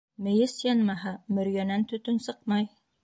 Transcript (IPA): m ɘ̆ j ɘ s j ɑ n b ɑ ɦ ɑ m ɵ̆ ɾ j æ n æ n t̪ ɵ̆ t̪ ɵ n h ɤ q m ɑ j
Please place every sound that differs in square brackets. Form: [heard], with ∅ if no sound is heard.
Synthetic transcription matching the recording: m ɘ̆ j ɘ s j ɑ n [m] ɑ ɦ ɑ m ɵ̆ ɾ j æ n æ n t̪ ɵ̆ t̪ ɵ n [s] ɤ q m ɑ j